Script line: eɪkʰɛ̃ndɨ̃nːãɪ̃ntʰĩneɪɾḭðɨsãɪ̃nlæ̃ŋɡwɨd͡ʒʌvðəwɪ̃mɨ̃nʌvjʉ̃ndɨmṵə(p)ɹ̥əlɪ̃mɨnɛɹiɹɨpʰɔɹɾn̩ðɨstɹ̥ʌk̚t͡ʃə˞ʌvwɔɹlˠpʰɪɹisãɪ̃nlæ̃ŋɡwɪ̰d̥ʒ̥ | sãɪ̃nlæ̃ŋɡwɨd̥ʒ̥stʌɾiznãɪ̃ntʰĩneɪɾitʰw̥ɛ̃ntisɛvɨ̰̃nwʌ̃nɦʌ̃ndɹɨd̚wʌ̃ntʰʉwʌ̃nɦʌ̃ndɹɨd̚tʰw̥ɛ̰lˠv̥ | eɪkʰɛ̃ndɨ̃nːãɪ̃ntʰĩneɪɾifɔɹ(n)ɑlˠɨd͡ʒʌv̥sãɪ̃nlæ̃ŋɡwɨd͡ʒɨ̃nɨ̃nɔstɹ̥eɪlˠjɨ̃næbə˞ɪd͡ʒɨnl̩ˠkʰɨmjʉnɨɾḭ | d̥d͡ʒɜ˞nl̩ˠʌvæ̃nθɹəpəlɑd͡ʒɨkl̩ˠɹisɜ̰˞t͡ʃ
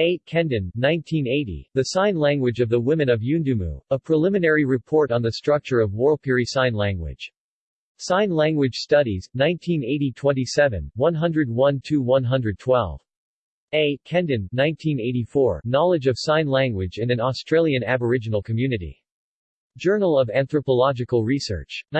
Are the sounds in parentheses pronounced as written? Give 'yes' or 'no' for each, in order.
no, yes

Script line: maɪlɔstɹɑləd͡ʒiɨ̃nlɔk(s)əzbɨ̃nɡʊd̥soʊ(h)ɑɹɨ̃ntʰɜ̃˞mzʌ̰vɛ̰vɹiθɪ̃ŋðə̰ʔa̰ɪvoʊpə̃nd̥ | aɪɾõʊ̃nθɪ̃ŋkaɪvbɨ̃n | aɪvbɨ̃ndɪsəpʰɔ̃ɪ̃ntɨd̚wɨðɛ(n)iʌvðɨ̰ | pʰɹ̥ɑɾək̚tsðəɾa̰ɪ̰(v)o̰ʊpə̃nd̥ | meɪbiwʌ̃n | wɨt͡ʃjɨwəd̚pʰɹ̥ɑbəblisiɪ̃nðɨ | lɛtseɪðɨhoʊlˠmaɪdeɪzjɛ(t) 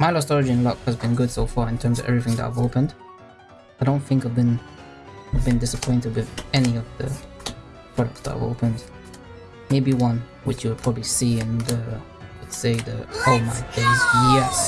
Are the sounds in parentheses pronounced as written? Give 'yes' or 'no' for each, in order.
no, no, yes, yes, no

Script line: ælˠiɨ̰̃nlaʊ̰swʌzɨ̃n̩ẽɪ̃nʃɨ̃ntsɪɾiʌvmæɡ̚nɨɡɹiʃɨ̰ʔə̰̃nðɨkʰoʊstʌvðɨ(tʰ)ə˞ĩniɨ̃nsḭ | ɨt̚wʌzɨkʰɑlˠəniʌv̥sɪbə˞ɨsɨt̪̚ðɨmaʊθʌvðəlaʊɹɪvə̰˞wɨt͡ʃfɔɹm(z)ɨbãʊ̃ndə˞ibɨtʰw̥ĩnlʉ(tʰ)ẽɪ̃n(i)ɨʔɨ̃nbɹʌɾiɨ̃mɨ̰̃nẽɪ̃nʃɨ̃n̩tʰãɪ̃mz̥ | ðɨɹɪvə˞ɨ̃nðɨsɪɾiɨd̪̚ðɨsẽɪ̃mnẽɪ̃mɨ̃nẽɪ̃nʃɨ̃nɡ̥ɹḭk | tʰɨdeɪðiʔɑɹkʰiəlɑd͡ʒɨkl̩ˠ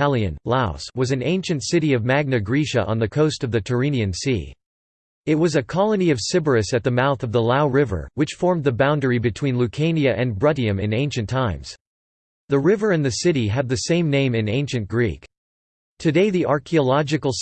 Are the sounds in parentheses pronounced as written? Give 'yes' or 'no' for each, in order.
yes, no, no, yes

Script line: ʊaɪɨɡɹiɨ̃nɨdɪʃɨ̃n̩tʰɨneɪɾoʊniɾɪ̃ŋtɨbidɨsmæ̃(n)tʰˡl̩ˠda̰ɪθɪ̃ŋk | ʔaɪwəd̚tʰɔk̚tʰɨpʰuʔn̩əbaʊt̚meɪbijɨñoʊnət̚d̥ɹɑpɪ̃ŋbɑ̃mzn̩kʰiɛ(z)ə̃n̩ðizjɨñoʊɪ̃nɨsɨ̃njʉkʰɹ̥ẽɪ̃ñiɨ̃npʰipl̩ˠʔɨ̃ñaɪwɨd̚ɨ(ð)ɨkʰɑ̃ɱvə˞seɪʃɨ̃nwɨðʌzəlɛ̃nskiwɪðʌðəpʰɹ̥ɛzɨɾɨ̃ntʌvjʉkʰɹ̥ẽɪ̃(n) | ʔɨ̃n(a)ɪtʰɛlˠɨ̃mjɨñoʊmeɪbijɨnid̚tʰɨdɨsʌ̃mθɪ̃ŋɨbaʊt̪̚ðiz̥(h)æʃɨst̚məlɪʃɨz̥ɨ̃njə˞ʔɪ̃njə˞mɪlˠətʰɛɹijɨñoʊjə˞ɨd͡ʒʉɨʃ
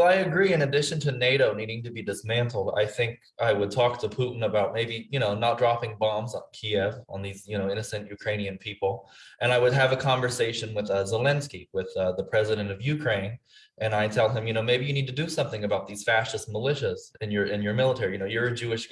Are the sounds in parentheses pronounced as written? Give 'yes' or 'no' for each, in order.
yes, no, no, yes, yes, no

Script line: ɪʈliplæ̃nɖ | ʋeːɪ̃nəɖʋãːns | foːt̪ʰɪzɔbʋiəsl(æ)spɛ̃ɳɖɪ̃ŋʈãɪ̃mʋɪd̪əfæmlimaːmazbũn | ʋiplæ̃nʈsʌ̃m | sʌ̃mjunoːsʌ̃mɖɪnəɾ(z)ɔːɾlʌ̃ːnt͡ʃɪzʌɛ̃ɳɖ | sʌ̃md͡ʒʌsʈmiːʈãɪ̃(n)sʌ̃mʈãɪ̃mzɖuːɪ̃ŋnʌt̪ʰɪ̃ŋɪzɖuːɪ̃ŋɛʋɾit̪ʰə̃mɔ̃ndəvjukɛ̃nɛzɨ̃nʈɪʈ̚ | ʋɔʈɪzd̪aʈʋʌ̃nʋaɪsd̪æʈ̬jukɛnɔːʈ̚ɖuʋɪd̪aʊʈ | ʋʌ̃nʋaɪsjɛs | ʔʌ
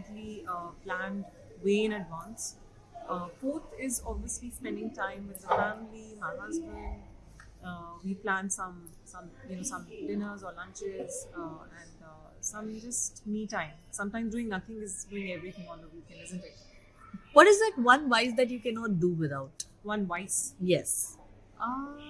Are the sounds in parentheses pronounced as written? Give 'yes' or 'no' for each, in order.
no, yes, no

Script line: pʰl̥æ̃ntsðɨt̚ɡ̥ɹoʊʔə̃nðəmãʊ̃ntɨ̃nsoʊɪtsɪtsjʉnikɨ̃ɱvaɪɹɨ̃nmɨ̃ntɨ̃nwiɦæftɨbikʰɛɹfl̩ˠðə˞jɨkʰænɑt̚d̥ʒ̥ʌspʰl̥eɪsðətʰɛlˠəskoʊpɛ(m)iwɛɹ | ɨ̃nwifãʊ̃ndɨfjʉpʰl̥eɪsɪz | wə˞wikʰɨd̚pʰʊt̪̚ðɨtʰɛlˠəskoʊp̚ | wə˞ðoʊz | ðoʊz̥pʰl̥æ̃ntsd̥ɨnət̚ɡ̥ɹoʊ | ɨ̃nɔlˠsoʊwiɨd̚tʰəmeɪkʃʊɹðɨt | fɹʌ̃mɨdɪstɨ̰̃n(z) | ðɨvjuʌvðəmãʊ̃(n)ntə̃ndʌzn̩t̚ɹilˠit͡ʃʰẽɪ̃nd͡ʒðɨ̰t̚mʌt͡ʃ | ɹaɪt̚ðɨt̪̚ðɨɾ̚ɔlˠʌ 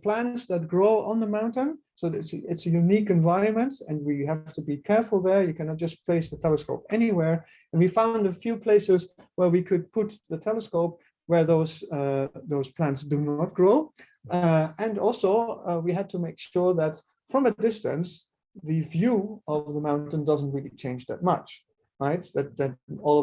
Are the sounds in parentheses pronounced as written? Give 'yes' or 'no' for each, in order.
no, no, yes

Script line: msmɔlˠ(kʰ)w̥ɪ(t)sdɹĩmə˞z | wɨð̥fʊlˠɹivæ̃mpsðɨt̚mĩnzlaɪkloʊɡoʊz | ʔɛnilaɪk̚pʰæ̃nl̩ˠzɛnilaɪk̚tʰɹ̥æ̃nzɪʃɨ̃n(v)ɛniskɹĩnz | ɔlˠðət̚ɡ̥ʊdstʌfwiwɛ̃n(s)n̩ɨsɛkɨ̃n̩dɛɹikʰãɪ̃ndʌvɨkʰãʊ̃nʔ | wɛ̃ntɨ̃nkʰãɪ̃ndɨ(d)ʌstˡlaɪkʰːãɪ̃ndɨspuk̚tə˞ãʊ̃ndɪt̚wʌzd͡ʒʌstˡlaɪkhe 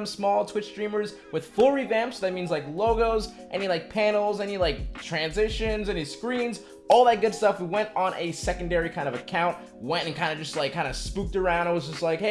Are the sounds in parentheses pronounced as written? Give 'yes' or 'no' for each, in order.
no, no, no, no, no

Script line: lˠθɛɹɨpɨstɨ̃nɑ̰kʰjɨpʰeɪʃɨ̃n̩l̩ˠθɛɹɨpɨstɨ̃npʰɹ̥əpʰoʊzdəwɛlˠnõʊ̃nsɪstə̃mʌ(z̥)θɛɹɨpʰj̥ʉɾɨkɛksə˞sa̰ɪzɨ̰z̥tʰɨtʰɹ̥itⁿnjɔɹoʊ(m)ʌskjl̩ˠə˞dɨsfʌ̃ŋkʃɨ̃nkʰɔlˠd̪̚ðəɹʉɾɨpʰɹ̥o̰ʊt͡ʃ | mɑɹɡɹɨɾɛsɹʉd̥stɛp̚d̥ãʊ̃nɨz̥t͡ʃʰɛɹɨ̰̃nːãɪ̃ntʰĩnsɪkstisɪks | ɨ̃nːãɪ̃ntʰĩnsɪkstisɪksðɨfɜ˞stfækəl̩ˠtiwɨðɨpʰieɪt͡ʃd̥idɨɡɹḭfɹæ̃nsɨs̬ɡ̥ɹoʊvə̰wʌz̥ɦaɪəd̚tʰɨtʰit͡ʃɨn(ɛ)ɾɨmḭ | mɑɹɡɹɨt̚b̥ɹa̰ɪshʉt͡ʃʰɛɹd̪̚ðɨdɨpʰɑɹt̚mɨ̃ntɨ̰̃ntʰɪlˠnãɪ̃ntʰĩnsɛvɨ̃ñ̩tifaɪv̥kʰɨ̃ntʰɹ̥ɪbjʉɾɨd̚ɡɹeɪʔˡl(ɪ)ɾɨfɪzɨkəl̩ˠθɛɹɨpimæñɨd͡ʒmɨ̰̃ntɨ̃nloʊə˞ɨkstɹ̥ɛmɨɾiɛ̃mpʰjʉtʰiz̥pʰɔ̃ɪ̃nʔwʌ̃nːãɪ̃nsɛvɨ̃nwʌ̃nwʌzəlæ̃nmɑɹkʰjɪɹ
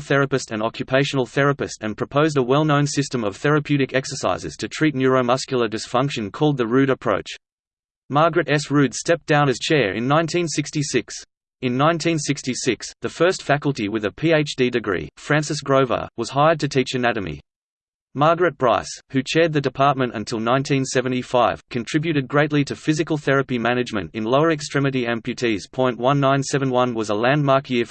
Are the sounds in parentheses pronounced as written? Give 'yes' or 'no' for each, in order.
no, yes, no, no

